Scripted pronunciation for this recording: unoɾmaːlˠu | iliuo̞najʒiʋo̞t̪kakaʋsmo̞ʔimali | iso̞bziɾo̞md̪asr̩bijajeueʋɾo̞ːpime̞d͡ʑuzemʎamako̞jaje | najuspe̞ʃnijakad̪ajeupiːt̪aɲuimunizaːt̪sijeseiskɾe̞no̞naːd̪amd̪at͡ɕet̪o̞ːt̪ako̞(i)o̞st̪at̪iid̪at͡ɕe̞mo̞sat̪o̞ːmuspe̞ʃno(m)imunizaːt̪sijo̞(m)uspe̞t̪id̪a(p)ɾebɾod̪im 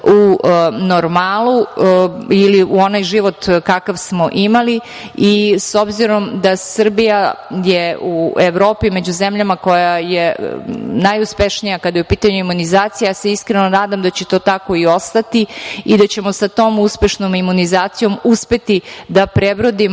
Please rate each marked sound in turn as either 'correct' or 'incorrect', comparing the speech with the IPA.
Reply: correct, correct, correct, correct

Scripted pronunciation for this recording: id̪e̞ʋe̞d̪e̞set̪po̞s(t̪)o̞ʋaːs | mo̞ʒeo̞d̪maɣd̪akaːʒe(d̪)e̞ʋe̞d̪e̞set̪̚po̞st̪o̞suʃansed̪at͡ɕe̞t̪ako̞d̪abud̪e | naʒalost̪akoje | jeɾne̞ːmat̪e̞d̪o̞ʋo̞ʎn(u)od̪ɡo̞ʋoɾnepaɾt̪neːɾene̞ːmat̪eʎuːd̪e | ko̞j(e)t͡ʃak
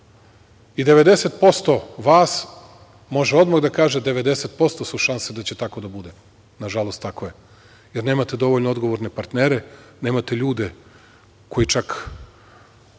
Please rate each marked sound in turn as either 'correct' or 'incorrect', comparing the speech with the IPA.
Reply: correct, correct, incorrect: o, incorrect: i

